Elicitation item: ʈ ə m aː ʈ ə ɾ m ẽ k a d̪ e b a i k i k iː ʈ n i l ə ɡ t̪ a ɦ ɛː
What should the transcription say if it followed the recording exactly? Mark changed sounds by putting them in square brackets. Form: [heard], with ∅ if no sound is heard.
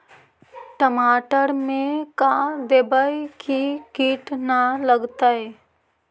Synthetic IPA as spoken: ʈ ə m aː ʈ ə ɾ m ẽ k a d̪ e b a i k i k iː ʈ n [a] l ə ɡ t̪ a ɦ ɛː